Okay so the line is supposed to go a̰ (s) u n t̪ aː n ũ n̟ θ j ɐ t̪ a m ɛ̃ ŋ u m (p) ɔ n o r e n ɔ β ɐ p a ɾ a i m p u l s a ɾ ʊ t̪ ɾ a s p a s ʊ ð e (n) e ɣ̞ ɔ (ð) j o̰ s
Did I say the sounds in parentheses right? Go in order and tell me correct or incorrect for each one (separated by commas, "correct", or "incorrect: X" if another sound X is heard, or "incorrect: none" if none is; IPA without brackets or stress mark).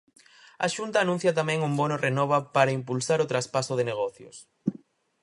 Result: incorrect: ʃ, incorrect: b, correct, incorrect: θ